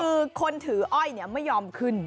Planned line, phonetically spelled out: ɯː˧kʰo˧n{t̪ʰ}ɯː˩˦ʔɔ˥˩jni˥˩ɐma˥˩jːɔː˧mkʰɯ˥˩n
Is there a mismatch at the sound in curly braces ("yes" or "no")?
no